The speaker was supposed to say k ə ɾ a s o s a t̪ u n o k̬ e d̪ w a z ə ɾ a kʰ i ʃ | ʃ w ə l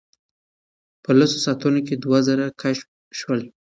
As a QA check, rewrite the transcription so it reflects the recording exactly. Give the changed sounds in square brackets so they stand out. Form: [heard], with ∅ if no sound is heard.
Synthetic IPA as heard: [p] ə [l] a s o s a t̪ u n o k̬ e d̪ w a z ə ɾ a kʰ [a] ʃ | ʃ w ə l

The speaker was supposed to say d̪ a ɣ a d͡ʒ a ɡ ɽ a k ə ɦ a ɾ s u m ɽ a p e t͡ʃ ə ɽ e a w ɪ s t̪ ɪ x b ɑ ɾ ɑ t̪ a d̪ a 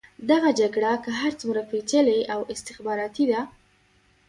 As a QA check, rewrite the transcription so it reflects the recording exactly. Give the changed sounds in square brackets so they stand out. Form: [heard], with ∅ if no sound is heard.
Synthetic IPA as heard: d̪ a ɣ a d͡ʒ a ɡ ɽ a k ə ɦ a ɾ [t͡s] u m [ɾ] a p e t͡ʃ ə [l] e a w ɪ s t̪ ɪ x b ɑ ɾ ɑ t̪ [i] d̪ a

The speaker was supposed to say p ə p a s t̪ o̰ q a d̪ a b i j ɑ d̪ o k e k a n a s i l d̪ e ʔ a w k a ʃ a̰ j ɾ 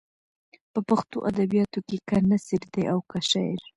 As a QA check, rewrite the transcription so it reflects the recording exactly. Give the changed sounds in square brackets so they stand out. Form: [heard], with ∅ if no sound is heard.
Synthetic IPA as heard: p ə p a [x] t̪ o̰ [ʔ] a d̪ a b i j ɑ [t̪] o k e k a n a s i [ɾ] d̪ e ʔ a w k a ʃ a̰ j ɾ

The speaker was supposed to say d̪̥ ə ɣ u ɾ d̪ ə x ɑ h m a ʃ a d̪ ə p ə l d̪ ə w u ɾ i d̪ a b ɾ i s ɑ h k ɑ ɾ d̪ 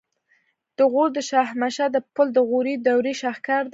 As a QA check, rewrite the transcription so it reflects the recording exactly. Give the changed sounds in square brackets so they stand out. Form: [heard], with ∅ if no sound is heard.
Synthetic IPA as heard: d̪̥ ə ɣ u ɾ d̪ ə [ʃ] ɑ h m a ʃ a d̪ ə p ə l d̪ ə [ɣ] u ɾ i d̪ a [w] ɾ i [ʃ] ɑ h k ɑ ɾ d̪

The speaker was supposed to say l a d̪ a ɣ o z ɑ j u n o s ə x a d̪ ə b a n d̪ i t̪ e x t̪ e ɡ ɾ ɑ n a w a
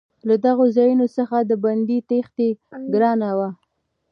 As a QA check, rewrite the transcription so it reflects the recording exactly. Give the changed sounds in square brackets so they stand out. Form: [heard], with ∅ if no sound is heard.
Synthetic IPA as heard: l a d̪ a ɣ o z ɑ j u n o s ə x a d̪ ə b a n d̪ i t̪ e x t̪ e ɡ ɾ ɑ n a w a

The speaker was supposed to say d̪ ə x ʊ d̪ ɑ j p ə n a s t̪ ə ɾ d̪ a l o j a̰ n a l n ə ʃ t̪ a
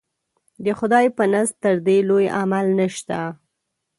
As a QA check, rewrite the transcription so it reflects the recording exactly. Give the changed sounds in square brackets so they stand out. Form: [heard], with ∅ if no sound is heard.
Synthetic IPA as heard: d̪ ə x ʊ d̪ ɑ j p ə n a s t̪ ə ɾ d̪ [e] l o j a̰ [m] a l n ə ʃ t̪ a

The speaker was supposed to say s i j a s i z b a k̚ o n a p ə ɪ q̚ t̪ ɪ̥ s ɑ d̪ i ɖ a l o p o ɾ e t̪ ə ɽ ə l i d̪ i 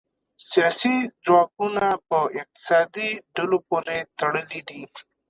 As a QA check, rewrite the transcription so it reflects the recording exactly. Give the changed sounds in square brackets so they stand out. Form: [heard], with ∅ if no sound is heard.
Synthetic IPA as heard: s i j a s i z [w] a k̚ [u] n a p ə ɪ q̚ t̪ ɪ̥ s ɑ d̪ i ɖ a l o p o ɾ e t̪ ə ɽ ə l i d̪ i

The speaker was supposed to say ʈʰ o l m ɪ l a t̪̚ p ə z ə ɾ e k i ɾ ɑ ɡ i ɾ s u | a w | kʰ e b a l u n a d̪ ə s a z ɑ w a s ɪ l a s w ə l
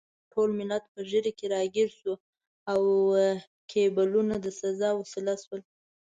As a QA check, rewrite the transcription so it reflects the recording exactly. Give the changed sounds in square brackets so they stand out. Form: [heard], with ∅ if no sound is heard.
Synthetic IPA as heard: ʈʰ o l m ɪ l a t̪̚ p ə [ʒ] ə ɾ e k [e] ɾ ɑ ɡ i ɾ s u | a w | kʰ e b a l u n a d̪ ə s a z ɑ w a s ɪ l a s w ə l

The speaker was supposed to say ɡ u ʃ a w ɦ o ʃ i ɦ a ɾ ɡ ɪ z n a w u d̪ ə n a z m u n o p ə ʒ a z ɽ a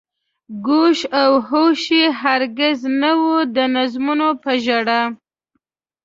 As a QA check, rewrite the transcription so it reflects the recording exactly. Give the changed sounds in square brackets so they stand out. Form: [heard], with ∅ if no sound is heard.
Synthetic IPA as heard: ɡ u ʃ a w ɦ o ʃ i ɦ a ɾ ɡ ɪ z n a w u d̪ ə n a z m u n o p ə ʒ a [∅] ɽ a

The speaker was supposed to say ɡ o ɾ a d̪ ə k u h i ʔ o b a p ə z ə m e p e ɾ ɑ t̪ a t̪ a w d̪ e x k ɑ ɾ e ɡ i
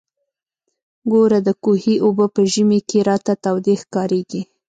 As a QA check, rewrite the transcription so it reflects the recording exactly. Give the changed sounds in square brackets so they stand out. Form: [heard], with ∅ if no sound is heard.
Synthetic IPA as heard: ɡ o ɾ a d̪ ə k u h i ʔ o b [ə] p ə [ʒ] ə m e [k] e ɾ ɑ t̪ a t̪ a w d̪ e x k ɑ ɾ e ɡ i

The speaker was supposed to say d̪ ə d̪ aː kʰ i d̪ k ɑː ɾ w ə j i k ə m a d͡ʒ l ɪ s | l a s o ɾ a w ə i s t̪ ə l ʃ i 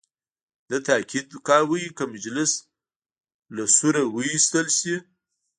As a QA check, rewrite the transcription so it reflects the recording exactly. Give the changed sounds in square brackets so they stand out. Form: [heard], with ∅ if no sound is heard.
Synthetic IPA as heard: d̪ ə [t̪] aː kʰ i d̪ k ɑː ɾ w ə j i k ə m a d͡ʒ l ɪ s | l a s [u] ɾ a w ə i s t̪ ə l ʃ i

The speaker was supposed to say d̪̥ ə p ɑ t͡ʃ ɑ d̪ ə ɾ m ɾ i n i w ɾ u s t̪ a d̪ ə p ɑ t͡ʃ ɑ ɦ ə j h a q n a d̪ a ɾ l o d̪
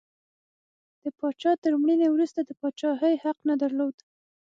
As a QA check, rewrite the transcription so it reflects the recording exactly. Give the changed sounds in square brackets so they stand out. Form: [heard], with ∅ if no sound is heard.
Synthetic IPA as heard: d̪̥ ə p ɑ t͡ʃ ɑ [t̪] ə ɾ m [ɽ] i n [e] w ɾ u s t̪ a d̪ ə p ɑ t͡ʃ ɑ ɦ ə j h a q n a d̪ a ɾ l o d̪

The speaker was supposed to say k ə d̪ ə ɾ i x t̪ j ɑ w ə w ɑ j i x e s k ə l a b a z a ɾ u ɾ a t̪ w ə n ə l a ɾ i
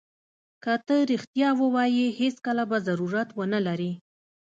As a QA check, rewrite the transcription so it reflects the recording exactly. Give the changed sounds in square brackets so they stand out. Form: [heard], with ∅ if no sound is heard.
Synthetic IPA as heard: k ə [t̪] ə ɾ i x t̪ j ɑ w ə w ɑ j i [h] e s k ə l a b a z a ɾ u ɾ a t̪ w ə n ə l a ɾ i

